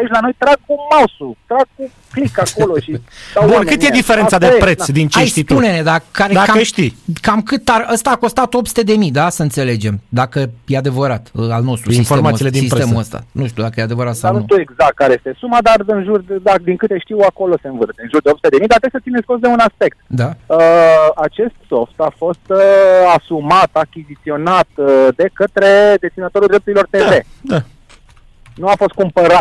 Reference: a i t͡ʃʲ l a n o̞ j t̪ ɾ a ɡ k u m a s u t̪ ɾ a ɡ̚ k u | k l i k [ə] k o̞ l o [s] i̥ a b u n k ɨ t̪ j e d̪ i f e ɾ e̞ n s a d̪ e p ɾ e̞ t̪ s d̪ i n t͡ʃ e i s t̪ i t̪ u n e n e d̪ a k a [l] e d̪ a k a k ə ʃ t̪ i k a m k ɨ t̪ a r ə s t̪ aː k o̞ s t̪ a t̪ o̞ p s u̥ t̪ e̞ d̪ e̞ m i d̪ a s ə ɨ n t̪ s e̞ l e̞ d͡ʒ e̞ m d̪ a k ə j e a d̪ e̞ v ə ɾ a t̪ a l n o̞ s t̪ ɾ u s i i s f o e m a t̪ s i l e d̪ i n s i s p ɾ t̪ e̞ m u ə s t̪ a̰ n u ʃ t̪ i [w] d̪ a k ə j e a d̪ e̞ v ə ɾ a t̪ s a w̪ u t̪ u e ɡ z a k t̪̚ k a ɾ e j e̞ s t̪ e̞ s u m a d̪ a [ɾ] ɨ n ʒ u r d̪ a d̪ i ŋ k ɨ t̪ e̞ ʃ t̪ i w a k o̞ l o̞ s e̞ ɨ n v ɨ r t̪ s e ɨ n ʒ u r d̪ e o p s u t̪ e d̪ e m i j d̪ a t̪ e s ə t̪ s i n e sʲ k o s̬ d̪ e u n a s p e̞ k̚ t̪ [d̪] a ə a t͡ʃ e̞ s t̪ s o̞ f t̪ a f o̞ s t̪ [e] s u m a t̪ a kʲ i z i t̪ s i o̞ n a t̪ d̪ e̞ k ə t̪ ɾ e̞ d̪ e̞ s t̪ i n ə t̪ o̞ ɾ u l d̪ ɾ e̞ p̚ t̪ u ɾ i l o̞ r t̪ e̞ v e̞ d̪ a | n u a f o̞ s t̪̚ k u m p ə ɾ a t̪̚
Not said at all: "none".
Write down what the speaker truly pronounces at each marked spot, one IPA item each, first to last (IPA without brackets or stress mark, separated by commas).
a, ʃ, ɾ, u, r, d̪, a